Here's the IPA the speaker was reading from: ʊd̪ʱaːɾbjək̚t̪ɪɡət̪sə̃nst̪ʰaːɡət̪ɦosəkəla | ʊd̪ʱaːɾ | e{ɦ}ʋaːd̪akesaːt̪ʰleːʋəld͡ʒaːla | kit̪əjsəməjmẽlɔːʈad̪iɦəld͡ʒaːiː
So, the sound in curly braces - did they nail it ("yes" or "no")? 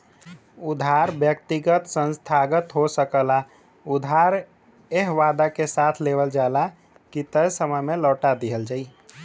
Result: yes